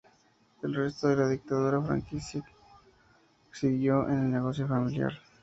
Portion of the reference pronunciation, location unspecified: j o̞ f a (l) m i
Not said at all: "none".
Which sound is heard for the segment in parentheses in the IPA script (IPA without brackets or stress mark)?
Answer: none